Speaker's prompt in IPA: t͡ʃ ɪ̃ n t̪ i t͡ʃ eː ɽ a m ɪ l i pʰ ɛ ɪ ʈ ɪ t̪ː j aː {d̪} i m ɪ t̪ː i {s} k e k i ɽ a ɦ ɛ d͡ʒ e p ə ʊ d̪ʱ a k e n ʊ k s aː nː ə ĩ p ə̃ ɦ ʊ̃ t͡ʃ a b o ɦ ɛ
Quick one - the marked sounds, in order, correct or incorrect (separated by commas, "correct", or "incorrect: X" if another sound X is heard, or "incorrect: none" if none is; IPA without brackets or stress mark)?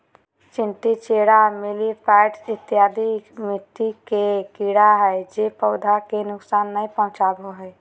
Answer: correct, incorrect: none